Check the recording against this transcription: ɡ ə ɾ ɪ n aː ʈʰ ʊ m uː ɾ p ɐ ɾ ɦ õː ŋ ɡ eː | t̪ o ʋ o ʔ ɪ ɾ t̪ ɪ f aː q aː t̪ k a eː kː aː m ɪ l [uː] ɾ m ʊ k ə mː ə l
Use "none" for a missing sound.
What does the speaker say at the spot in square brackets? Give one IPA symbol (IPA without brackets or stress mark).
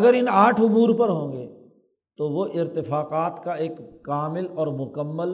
ɔː